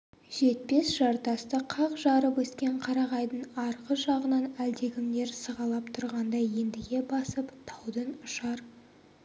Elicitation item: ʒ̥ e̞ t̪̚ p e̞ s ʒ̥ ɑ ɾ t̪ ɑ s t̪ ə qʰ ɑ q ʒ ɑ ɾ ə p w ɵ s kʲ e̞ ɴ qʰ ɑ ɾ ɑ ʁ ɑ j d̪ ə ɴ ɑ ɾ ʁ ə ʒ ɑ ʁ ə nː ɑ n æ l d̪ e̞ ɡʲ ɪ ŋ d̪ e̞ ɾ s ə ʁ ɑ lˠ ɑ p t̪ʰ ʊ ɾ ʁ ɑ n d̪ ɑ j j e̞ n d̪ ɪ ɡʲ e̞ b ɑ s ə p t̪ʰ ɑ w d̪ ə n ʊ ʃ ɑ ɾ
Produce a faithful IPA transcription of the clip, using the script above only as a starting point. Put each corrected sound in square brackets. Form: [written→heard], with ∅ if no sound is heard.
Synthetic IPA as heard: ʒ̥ e̞ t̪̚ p e̞ s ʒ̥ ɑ ɾ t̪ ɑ s t̪ ə qʰ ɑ q ʒ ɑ ɾ ə p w ɵ s kʲ e̞ ɴ qʰ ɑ ɾ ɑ ʁ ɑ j d̪ ə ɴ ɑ ɾ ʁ ə ʒ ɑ ʁ ə [nː→n] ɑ n æ l d̪ e̞ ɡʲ ɪ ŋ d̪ e̞ ɾ s ə ʁ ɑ lˠ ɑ p t̪ʰ ʊ ɾ ʁ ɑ n d̪ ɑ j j e̞ n d̪ ɪ ɡʲ e̞ b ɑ s ə p t̪ʰ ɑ w d̪ ə n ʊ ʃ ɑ ɾ